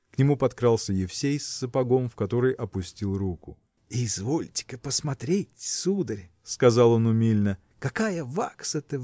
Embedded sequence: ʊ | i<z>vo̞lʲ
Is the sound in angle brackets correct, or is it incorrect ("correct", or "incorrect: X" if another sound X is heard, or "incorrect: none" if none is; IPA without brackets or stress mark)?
correct